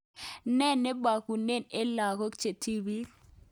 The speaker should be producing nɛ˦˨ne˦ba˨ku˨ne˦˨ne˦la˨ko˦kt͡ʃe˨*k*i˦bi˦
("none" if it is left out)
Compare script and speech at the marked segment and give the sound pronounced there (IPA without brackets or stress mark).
t